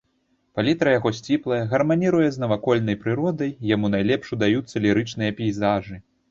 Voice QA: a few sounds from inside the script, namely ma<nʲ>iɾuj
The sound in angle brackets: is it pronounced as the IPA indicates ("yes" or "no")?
yes